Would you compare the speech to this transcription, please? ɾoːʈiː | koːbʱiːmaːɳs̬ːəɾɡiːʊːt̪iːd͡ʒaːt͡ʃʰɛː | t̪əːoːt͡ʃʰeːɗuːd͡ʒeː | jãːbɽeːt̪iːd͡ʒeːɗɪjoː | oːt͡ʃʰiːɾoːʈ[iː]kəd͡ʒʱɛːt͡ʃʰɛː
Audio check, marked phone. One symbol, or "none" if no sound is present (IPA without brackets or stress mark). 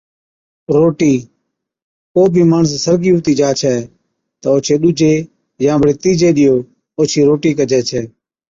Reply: iː